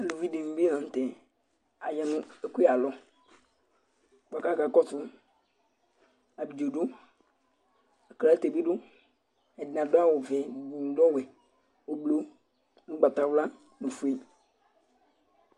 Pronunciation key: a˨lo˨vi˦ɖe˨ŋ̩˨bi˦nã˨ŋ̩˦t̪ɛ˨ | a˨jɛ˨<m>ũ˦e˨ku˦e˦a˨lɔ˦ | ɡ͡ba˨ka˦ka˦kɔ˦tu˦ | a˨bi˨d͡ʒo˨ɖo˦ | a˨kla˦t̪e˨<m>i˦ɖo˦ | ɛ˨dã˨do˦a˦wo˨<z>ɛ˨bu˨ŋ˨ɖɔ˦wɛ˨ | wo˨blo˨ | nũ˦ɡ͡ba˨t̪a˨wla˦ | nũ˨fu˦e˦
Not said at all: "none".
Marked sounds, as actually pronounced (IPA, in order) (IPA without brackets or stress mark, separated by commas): n, b, v